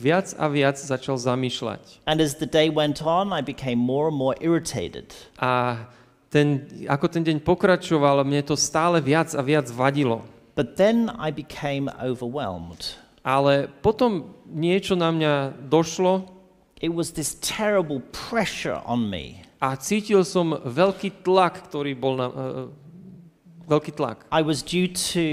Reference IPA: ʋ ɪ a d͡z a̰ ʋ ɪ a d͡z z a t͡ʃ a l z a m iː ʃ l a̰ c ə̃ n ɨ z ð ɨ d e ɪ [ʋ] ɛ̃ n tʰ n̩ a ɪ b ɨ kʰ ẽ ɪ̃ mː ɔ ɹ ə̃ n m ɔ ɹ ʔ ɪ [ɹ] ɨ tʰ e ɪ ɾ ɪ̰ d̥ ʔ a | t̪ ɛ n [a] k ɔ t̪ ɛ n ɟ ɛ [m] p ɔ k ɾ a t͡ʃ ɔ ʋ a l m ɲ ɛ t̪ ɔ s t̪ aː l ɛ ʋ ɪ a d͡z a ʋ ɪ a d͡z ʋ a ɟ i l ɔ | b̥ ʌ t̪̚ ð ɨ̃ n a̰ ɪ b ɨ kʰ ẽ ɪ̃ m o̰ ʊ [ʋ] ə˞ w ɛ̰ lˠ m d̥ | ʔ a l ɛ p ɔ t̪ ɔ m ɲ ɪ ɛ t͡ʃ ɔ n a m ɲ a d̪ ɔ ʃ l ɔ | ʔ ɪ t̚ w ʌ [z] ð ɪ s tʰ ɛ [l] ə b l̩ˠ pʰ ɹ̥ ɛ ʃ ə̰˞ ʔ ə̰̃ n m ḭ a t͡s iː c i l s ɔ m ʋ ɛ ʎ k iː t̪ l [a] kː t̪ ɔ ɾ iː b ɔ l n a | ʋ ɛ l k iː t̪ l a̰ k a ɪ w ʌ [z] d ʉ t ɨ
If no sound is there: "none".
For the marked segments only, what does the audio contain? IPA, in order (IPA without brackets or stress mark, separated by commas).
w, ɹ, a, ɲ, v, z, ɹ, a, z